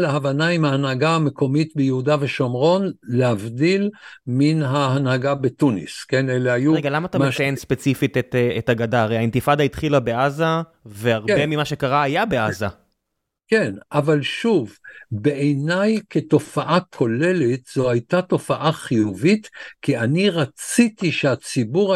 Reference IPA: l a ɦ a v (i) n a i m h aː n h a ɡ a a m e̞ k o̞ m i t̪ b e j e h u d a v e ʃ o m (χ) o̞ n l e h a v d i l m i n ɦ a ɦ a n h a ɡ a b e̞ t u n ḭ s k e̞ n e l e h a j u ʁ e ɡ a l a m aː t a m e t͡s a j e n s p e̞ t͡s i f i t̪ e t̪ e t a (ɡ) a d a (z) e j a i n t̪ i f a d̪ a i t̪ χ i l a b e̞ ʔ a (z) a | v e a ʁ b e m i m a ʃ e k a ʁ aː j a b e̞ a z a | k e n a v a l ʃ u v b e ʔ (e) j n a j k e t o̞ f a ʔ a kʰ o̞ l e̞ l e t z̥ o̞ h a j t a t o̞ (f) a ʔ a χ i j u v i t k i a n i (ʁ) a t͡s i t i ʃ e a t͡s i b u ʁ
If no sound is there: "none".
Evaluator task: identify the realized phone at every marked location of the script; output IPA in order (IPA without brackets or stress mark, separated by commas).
a, ʁ, ɡ, ʁ, z, e, f, ʁ